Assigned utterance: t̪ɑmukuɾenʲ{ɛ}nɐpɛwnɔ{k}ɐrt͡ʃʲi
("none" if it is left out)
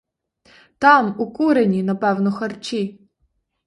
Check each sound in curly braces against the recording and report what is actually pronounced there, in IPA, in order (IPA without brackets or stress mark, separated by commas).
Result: i, x